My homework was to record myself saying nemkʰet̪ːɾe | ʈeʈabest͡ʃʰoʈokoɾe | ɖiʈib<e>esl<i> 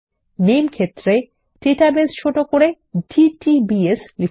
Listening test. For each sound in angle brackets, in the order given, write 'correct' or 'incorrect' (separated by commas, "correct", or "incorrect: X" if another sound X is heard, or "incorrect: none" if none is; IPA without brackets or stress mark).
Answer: incorrect: i, correct